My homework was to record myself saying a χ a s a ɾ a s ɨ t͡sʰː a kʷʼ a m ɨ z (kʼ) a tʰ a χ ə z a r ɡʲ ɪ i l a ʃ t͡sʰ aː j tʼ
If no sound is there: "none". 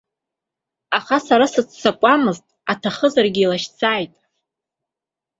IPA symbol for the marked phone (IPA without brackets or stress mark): tʼ